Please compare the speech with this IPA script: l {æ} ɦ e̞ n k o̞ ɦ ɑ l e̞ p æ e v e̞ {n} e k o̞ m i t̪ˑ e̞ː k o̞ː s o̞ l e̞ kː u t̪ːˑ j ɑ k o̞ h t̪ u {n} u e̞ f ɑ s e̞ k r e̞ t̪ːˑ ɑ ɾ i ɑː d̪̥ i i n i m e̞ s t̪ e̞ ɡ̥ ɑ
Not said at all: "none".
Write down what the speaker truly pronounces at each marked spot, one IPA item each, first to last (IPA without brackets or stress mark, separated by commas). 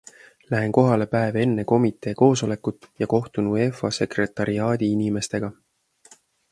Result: æ, nː, n